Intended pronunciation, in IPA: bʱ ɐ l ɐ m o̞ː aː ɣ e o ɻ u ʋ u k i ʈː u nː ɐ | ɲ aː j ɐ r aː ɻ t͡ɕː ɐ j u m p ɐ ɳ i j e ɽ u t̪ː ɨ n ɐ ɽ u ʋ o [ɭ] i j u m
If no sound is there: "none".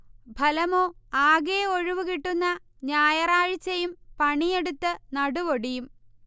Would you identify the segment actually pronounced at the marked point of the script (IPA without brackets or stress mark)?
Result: ɽ